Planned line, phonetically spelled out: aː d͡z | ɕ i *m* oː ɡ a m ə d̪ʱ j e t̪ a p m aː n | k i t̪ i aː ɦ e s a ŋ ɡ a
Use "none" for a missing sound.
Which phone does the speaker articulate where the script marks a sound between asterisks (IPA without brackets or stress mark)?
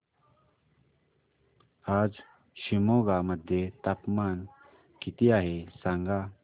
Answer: m